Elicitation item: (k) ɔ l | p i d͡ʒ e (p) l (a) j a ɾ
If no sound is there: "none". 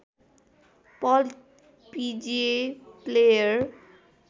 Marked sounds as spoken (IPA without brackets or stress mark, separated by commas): p, p, e